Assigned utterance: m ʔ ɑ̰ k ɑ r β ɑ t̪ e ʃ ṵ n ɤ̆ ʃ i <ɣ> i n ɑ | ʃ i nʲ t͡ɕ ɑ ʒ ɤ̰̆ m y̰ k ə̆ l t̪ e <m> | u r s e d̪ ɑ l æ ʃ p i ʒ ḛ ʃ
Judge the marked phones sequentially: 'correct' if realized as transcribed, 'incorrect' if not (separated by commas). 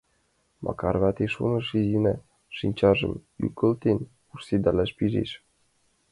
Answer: incorrect, incorrect